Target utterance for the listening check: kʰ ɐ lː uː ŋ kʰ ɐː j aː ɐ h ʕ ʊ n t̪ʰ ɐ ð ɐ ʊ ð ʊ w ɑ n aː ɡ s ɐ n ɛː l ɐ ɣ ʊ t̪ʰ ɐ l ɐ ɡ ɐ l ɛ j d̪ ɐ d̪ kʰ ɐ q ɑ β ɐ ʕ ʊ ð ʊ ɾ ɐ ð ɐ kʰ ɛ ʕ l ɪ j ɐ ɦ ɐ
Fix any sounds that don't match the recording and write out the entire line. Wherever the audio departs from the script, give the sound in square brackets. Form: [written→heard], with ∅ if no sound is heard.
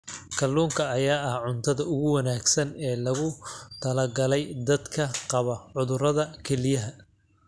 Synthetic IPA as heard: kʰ ɐ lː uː ŋ kʰ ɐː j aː ɐ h ʕ ʊ n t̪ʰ ɐ ð ɐ ʊ [ð→ɣ] ʊ w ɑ n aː ɡ s ɐ n ɛː l ɐ ɣ ʊ t̪ʰ ɐ l ɐ ɡ ɐ l ɛ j d̪ ɐ d̪ kʰ ɐ q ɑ β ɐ ʕ ʊ ð ʊ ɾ ɐ ð ɐ kʰ ɛ [ʕ→∅] l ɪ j ɐ ɦ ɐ